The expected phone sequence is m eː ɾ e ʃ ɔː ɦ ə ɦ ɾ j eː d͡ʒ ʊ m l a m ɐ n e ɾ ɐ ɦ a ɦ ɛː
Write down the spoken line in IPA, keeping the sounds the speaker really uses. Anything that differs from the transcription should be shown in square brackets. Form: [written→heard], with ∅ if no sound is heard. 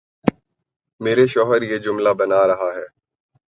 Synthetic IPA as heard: m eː ɾ e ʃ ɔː ɦ ə [ɦ→∅] ɾ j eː d͡ʒ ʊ m l a [m→b] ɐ n [e→a] ɾ ɐ ɦ a ɦ ɛː